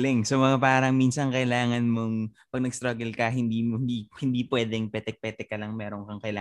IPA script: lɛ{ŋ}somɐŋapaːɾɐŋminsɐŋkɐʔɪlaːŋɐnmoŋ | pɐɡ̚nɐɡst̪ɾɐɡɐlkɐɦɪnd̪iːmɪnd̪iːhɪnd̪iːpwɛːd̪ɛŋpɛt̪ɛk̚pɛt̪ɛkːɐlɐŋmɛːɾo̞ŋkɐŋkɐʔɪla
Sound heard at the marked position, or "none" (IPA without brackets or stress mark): ŋ